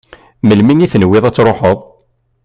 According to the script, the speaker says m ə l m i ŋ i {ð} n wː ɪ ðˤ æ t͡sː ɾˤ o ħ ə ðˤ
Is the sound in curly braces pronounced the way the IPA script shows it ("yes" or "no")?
no